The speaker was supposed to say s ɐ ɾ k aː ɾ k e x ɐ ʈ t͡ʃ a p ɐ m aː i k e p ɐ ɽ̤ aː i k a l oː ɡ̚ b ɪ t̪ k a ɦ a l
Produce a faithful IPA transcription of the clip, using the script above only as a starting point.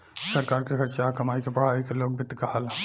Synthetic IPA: s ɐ ɾ k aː ɾ k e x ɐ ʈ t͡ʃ a k ɐ m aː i k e p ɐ ɽ̤ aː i k e l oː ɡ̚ b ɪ t̪ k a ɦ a l